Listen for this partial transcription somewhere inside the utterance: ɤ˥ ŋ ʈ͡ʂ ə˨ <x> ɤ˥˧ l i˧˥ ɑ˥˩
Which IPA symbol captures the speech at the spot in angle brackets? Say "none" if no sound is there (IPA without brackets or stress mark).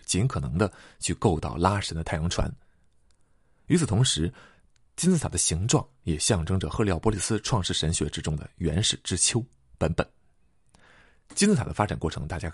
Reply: x